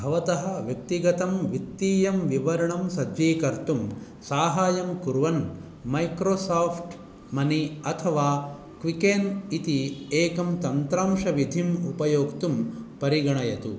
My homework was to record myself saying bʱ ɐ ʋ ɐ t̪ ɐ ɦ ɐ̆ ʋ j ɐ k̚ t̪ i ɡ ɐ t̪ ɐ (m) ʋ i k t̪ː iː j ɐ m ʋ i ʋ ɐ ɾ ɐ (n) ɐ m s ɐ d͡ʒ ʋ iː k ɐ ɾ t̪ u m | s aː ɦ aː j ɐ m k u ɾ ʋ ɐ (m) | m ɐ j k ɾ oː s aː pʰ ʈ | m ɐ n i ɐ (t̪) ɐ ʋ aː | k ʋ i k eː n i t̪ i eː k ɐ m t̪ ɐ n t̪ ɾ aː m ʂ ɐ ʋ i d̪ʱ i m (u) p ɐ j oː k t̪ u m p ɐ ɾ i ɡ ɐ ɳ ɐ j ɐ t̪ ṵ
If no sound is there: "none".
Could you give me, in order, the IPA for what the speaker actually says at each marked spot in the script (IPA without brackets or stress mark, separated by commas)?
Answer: m, ɳ, n, t̪ʰ, u